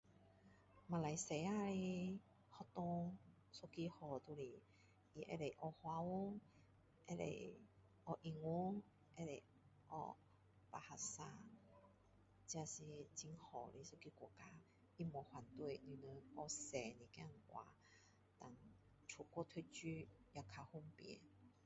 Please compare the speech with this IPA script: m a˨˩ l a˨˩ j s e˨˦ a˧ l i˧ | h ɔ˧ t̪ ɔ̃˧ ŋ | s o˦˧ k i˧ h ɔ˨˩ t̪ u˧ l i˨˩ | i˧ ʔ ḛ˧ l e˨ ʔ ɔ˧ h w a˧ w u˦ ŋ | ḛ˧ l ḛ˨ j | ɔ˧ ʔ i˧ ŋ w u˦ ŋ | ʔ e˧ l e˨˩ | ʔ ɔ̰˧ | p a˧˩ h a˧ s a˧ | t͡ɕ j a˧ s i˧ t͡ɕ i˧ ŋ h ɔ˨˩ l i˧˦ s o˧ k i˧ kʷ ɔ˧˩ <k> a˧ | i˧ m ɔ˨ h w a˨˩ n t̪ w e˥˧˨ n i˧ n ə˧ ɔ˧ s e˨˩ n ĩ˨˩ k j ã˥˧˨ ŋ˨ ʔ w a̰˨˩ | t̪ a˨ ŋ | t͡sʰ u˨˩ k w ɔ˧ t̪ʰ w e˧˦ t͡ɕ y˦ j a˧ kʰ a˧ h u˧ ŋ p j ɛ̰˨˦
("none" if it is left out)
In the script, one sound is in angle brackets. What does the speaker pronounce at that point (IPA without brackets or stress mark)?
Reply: k